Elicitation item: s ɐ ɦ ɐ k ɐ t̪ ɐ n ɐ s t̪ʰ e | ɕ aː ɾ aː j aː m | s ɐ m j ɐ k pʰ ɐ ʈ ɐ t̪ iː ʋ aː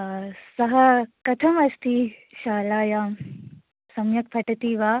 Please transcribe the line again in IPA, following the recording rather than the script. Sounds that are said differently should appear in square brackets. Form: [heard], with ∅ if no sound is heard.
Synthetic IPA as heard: s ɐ ɦ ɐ k ɐ [t̪ʰ] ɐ [m] ɐ s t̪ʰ [i] | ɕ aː [l] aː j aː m | s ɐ m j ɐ k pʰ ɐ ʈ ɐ t̪ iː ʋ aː